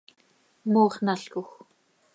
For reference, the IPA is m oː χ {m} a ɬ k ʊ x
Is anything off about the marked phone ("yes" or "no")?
yes